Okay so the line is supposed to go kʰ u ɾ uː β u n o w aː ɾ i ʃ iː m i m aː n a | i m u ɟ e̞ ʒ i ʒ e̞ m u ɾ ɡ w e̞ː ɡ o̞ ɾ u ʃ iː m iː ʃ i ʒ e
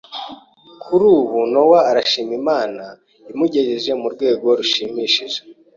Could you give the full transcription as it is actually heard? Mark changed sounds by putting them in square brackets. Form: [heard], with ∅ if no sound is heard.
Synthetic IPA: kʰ u ɾ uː β u n o w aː ɾ [a] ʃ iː m i m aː n a | i m u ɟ e̞ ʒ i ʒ e̞ m u ɾ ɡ w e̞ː ɡ o̞ ɾ u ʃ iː m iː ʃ i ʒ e

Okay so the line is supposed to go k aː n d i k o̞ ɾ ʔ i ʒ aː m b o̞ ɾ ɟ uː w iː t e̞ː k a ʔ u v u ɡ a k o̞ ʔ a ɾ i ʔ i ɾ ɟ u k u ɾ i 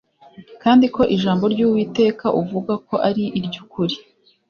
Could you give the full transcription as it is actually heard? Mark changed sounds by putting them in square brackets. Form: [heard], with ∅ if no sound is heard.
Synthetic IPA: k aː n d i k o̞ [∅] ʔ i ʒ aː m b o̞ ɾ ɟ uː w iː t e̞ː k a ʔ u v u ɡ a k o̞ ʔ a ɾ i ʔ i ɾ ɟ u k u ɾ i

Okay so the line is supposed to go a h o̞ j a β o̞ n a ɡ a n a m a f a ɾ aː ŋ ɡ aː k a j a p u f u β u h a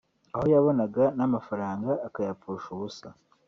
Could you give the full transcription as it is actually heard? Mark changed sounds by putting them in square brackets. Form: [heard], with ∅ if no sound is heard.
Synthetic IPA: a h o̞ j a β o̞ n a ɡ a n a m a f a ɾ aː ŋ ɡ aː k a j a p u [ʃ] u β u [s] a

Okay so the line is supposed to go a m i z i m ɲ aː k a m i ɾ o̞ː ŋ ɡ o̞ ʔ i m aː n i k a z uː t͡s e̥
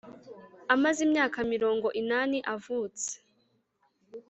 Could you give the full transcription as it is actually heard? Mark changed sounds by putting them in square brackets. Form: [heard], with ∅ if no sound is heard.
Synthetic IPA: a m [a] z i m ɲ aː k a m i ɾ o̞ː ŋ ɡ o̞ ʔ i [n] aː n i [ʔ] a [v] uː t͡s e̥

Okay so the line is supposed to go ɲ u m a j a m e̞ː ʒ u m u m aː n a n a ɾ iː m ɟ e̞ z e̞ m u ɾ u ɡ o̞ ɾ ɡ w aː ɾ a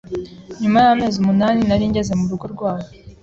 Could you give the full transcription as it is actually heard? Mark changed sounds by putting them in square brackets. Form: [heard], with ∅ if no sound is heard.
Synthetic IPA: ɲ u m a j a m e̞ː [z] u m u [n] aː n [i] n a ɾ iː [ɲ] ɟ e̞ z e̞ m u ɾ u ɡ o̞ ɾ ɡ w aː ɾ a

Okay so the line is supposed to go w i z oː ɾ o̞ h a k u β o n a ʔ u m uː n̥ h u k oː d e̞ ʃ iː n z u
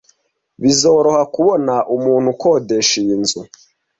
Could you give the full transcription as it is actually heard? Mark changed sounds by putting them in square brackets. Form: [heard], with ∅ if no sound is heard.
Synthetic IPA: [β] i z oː ɾ o̞ h a k u β o n a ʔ u m uː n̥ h u k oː d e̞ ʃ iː n z u

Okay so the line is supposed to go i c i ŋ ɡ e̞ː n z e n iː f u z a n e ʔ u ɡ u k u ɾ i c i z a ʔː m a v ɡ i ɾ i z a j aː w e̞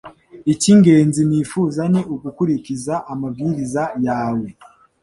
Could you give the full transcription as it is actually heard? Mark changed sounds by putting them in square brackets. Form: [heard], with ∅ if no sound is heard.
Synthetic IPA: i c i ŋ ɡ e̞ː n z [i] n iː f u z a n e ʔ u ɡ u k u ɾ i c i z a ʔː m a v ɡ i ɾ i z a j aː w e̞

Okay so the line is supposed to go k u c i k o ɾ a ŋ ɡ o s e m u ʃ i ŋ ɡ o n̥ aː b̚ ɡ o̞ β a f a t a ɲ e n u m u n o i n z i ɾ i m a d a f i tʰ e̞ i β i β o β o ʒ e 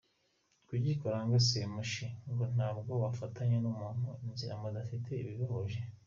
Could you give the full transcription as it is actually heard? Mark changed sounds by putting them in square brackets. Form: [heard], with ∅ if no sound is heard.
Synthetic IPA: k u [ɟ] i k o ɾ a ŋ ɡ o s e m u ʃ i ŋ ɡ o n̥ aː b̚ ɡ o̞ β a f a t a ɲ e n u m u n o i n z i ɾ [a] m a d a f i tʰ e̞ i β i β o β o ʒ e

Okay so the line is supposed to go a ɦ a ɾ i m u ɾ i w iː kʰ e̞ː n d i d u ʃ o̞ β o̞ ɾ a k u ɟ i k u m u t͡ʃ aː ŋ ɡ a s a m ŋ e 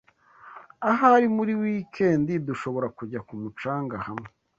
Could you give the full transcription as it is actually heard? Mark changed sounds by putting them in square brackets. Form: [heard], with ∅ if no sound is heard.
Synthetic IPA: a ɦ a ɾ i m u ɾ i w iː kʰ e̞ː n d i d u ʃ o̞ β o̞ ɾ a k u ɟ [a] k u m u t͡ʃ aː ŋ ɡ a [h] a m ŋ e

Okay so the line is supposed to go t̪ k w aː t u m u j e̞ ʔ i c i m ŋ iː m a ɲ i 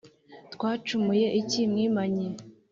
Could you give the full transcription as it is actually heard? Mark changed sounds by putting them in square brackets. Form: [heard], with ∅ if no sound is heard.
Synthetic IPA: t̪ k w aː [t͡ʃ] u m u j e̞ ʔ i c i m ŋ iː m a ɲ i

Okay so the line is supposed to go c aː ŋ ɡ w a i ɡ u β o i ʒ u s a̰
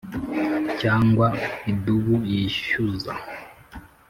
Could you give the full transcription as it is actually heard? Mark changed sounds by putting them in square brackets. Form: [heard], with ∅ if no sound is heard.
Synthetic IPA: c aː ŋ ɡ w a i [d] u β [u] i [ʃ] u [z] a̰

